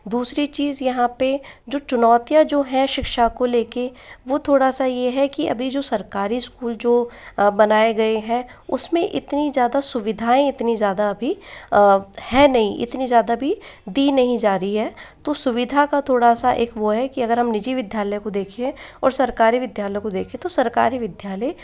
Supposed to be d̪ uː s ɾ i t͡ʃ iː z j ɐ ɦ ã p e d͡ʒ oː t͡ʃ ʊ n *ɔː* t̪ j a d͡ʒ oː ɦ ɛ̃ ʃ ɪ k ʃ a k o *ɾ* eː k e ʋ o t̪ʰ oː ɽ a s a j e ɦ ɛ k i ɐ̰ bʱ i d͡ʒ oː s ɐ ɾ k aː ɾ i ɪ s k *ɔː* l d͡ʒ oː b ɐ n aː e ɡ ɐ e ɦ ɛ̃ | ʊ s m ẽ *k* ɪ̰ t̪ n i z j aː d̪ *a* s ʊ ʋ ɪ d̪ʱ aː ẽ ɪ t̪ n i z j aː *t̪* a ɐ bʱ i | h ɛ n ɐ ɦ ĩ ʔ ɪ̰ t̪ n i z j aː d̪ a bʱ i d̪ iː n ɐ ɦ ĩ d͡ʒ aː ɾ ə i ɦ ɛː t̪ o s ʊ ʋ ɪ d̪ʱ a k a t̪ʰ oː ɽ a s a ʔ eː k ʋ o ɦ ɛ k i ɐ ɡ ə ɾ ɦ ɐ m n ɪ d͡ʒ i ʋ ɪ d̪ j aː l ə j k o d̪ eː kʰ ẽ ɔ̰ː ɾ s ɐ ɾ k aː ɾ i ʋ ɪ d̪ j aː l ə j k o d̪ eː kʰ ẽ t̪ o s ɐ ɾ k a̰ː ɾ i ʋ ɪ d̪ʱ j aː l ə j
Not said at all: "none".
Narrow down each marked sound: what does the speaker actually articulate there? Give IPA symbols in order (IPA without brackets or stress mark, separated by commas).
ɔː, l, uː, ʔ, a, d̪